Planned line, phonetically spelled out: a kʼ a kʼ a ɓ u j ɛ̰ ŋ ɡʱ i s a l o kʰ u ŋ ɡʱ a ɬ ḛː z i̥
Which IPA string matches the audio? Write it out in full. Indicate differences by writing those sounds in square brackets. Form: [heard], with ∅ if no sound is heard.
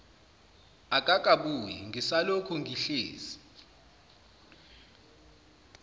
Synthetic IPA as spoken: a kʼ a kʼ a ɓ u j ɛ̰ ŋ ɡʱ i s a l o kʰ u ŋ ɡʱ [i] ɬ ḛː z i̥